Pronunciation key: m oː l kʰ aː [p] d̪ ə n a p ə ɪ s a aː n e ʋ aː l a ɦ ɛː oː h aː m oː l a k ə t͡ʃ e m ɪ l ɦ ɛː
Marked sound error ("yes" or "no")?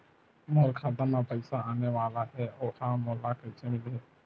yes